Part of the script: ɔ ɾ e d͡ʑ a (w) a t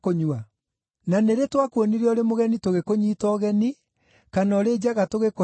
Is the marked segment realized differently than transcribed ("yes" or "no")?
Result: yes